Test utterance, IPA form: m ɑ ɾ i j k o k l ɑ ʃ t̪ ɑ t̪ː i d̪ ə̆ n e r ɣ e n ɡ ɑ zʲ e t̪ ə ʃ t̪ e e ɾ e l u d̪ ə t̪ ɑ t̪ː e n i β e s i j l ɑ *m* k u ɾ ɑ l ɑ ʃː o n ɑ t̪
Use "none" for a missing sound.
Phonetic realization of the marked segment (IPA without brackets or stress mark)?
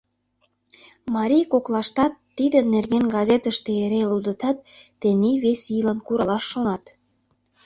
n